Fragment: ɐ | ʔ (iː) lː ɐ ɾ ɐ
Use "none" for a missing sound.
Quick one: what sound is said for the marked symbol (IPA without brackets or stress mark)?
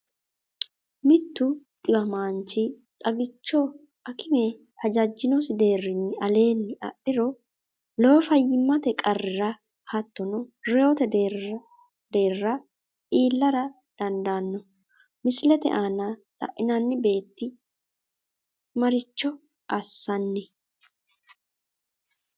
iː